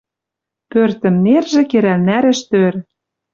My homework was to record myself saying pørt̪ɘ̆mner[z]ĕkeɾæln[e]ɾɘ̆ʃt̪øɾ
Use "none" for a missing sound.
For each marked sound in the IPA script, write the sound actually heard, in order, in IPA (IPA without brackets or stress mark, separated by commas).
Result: ʒ, æ